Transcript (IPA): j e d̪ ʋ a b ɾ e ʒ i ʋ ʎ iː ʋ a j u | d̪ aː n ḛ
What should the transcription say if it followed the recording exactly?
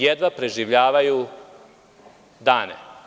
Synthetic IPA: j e d̪ ʋ a p ɾ e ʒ i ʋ ʎ aː ʋ a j u | d̪ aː n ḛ